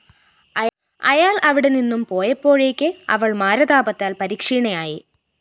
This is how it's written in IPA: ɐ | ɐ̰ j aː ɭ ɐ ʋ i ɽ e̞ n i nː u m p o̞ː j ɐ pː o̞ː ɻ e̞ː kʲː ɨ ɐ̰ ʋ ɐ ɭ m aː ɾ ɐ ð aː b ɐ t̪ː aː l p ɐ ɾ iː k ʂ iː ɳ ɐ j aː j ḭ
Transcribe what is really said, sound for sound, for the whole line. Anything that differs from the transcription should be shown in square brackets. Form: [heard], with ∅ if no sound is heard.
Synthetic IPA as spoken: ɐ | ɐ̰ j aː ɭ ɐ ʋ i ɽ e̞ n i nː u m p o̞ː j ɐ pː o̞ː ɻ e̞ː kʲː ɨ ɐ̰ ʋ ɐ ɭ m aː ɾ ɐ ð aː b ɐ t̪ː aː l p ɐ ɾ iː k ʂ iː ɳ ɐ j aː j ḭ